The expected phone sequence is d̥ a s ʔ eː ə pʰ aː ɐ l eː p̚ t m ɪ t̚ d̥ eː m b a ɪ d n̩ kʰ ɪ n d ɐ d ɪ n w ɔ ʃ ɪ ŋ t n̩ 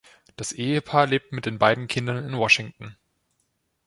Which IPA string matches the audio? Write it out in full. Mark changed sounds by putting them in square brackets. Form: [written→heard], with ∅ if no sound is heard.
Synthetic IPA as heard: d̥ a s ʔ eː ə pʰ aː ɐ l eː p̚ t m ɪ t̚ d̥ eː [m→n] b a ɪ d n̩ kʰ ɪ n d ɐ [d→n] ɪ n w ɔ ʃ ɪ ŋ t n̩